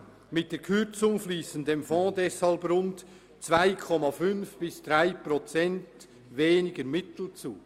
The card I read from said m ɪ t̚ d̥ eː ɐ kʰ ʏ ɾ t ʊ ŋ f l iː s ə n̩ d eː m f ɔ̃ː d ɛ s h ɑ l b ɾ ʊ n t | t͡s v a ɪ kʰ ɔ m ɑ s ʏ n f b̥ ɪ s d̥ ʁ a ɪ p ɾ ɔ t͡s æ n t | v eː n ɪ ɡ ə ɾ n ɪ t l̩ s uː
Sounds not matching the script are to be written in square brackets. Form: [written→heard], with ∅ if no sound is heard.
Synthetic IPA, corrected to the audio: m ɪ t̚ d̥ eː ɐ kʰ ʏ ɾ [t→t͡s] ʊ ŋ f l iː s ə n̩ d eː m f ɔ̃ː d ɛ s h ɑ l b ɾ ʊ n t | t͡s v a ɪ kʰ ɔ m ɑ [s→f] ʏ n f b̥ ɪ s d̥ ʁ a ɪ p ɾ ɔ t͡s [æ→ɛ] n t | v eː n ɪ ɡ ə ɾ [n→m] ɪ t l̩ [s→t͡s] uː